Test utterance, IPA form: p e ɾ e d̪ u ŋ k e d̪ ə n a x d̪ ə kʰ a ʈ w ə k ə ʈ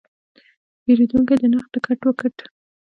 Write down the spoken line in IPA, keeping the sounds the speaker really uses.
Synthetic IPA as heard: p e ɾ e d̪ u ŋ k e d̪ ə n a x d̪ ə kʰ a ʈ w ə k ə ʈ